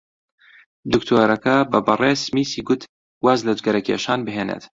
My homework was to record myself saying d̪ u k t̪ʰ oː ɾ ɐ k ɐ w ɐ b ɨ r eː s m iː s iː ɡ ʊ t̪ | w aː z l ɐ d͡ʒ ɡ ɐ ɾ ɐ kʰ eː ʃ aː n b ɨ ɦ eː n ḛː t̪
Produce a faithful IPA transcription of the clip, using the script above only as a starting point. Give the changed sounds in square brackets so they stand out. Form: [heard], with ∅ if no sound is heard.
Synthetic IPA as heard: d̪ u k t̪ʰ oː ɾ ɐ k ɐ [b] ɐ b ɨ r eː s m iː s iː ɡ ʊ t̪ | w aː z l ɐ d͡ʒ ɡ ɐ ɾ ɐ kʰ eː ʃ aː n b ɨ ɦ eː n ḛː t̪